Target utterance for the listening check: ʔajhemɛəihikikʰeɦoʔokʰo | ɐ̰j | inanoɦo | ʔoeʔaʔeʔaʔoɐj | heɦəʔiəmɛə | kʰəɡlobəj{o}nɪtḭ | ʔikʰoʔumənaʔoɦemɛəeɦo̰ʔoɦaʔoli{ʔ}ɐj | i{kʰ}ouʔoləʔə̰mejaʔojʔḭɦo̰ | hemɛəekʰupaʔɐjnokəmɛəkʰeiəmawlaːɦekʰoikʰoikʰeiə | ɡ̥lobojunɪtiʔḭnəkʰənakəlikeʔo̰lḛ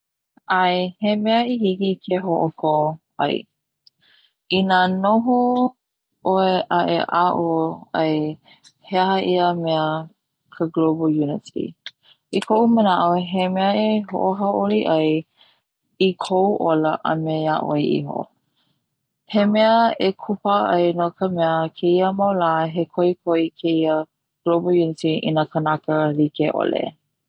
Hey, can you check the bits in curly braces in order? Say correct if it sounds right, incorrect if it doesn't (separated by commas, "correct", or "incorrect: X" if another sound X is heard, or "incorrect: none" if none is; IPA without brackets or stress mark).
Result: incorrect: u, correct, correct